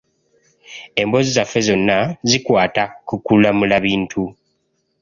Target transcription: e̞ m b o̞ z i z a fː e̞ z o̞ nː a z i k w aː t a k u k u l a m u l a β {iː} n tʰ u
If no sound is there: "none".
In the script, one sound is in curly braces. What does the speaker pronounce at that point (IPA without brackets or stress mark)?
iː